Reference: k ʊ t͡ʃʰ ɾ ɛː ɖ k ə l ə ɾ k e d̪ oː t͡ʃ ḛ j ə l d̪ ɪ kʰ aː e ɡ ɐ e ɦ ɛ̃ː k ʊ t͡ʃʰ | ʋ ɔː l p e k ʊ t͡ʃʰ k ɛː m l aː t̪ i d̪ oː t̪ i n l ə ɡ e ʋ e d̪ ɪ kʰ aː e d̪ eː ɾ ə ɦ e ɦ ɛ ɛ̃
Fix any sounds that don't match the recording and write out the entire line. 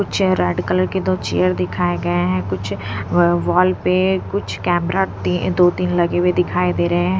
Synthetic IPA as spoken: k ʊ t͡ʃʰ ɾ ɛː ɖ k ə l ə ɾ k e d̪ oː t͡ʃ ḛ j ə ɾ d̪ ɪ kʰ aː e ɡ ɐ e ɦ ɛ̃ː k ʊ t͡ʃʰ | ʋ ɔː l p e k ʊ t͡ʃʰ k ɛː m ɾ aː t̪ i d̪ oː t̪ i n l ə ɡ e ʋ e d̪ ɪ kʰ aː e d̪ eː ɾ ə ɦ e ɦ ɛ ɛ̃